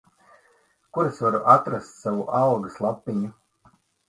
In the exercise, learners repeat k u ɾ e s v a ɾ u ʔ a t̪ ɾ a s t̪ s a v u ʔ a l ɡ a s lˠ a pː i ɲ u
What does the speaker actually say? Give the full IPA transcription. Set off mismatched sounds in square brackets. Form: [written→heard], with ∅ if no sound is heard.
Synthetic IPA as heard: k u ɾ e s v a ɾ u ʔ a t̪ ɾ a s t̪ s a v u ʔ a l ɡ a s lˠ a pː i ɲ u